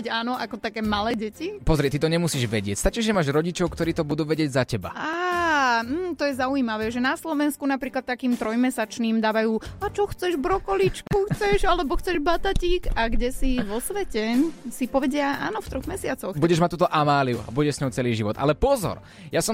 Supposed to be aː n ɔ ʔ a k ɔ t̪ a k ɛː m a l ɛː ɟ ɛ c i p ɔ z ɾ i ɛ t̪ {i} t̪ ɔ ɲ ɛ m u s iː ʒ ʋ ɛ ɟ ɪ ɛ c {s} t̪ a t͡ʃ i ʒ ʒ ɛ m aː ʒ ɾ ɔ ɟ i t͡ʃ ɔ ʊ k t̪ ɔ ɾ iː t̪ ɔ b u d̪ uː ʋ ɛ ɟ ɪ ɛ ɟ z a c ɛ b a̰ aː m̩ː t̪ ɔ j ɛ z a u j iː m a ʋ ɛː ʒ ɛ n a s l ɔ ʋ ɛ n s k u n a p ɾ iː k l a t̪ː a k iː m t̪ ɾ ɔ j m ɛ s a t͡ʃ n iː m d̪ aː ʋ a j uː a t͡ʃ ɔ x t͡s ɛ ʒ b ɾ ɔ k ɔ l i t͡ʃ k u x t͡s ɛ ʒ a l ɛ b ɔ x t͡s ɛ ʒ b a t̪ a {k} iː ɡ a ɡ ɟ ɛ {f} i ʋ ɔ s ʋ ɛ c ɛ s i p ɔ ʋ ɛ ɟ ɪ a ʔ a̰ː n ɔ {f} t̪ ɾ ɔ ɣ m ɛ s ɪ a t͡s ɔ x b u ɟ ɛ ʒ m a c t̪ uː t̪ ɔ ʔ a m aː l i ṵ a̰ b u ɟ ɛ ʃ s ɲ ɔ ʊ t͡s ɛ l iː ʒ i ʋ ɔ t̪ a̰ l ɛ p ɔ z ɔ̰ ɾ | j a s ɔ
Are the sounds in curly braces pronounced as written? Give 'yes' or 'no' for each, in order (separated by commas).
yes, yes, no, no, yes